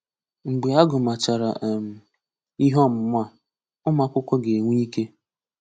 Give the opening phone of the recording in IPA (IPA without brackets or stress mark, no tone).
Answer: ŋ͡m̩